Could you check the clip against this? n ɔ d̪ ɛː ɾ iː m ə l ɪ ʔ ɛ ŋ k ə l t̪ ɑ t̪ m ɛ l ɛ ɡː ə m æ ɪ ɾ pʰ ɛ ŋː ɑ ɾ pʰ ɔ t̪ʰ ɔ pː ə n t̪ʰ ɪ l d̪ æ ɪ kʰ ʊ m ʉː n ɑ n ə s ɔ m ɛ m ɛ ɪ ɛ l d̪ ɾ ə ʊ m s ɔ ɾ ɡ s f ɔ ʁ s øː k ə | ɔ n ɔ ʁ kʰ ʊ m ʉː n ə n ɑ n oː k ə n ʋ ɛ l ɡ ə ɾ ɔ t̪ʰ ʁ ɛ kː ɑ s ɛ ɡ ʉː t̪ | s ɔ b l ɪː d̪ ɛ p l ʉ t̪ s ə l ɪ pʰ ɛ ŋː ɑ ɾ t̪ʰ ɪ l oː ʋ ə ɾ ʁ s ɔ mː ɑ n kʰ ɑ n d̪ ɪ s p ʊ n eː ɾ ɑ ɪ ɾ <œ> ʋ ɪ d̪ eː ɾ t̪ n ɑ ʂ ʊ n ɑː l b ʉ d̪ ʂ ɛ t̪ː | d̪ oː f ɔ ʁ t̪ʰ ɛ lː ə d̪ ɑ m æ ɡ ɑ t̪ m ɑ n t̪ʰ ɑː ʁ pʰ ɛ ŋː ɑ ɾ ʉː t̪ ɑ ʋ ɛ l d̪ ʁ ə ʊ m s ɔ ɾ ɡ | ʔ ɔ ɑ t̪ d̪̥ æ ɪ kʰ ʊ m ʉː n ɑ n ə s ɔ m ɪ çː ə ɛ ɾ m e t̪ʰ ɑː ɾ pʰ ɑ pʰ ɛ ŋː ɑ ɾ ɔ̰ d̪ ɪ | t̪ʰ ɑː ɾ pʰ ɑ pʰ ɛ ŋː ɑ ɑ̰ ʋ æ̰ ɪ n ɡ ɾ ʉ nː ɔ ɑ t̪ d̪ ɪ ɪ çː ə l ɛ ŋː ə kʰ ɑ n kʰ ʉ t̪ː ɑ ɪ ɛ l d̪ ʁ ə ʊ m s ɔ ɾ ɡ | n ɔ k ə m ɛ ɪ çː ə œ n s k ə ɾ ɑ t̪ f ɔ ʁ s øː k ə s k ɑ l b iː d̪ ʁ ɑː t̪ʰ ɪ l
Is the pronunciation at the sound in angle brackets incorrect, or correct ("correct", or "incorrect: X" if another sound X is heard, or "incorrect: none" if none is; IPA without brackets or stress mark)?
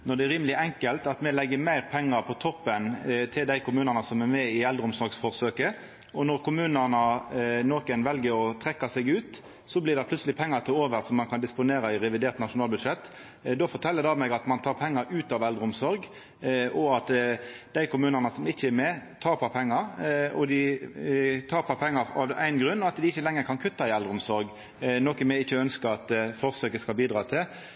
incorrect: ɛ